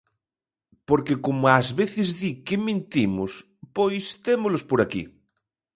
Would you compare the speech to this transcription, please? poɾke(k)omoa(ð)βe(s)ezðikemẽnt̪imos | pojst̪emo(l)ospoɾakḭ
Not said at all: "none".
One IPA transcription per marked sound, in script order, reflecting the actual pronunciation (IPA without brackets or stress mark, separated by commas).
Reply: k, z, θ, l